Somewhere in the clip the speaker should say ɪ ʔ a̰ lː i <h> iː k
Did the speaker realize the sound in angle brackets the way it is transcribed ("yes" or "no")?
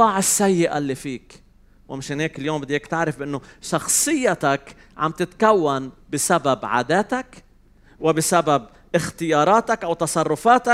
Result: no